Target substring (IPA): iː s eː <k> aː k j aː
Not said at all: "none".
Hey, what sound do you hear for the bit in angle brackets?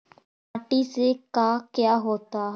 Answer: k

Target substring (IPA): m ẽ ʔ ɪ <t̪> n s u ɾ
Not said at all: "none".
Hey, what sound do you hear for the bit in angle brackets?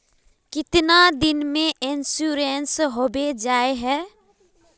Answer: none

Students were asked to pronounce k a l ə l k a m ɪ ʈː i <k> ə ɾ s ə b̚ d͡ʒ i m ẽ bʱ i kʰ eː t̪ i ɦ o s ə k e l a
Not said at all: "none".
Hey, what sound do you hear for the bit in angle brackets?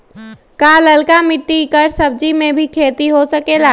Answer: k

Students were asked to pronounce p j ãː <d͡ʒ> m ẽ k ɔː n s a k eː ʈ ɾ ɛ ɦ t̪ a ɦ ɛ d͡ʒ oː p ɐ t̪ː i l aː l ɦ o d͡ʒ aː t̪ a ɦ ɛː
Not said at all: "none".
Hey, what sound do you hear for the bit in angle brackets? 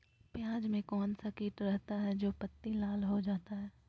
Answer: d͡ʒ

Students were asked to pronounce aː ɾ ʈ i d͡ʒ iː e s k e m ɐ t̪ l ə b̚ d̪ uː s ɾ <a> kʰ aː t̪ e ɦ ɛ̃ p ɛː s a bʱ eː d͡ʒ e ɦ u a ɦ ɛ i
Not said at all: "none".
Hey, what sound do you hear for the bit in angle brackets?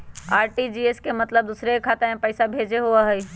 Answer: e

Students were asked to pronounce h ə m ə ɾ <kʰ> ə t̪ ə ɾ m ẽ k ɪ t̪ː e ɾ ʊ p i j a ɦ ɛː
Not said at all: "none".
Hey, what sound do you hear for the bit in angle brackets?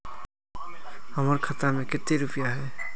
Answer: kʰ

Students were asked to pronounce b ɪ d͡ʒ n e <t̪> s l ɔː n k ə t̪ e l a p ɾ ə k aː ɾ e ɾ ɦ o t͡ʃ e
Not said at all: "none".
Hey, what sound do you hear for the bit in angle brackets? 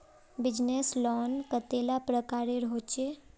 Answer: none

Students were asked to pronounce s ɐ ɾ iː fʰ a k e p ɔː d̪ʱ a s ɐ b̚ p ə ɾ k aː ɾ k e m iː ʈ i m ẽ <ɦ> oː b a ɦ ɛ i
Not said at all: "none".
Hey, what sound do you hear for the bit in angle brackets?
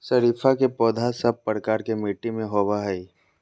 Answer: ɦ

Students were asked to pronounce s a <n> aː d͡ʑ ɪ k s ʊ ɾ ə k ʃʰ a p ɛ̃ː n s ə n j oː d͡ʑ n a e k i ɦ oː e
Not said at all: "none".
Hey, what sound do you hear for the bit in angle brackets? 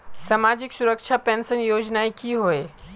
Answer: m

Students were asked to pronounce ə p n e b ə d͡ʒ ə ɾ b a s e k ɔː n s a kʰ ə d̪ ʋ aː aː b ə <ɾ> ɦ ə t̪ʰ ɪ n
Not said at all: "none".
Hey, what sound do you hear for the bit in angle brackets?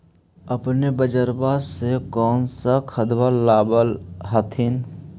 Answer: l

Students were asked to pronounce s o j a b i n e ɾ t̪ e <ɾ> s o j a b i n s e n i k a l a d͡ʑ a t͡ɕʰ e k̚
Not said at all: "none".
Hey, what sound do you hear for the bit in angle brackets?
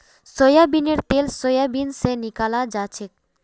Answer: l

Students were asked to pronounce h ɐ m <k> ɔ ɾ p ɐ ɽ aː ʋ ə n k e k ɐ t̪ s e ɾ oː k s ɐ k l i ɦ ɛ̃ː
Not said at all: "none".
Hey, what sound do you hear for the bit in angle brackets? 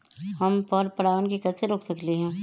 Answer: p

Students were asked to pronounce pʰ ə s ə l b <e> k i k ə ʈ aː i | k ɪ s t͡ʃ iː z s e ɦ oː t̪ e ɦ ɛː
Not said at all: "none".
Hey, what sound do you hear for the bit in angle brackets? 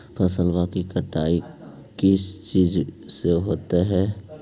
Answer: a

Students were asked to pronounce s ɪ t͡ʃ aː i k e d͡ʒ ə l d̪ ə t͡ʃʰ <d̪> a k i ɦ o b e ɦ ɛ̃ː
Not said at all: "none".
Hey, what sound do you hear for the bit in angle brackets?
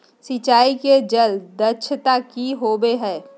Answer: t̪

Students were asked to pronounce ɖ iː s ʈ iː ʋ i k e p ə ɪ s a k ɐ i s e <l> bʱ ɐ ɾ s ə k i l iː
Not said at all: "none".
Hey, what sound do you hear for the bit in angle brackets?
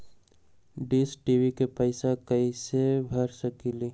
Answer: none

